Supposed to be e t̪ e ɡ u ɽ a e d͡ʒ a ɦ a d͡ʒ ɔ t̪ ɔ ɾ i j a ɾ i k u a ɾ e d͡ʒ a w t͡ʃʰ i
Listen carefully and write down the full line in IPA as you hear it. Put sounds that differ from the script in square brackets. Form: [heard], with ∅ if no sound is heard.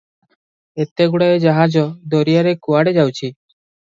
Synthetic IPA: e t̪ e ɡ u ɽ a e d͡ʒ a ɦ a d͡ʒ ɔ [d̪] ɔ ɾ i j a ɾ [e] k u a [ɽ] e d͡ʒ a w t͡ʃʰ i